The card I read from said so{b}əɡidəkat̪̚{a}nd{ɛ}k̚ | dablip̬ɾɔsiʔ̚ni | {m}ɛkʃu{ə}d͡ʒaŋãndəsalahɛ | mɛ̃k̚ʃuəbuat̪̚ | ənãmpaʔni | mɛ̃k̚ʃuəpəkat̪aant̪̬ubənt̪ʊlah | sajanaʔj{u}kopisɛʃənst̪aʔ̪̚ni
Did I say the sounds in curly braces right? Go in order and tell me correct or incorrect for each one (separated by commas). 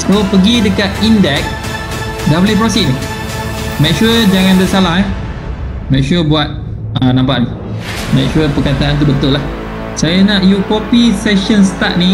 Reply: incorrect, incorrect, correct, correct, correct, correct